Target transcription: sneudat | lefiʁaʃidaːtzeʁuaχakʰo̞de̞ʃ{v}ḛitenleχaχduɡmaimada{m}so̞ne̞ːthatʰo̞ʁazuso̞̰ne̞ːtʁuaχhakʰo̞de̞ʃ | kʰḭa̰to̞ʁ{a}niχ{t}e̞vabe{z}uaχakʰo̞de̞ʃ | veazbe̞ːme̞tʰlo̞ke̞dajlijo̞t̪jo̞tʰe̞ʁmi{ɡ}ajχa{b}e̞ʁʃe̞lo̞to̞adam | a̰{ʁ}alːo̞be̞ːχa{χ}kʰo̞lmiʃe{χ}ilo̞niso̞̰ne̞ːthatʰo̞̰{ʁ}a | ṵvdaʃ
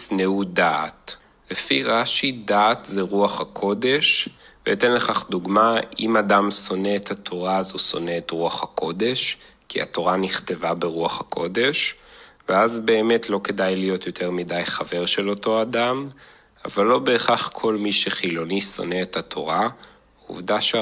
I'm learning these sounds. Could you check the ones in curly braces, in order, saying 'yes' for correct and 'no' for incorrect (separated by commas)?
yes, yes, yes, yes, no, no, no, no, yes, yes, yes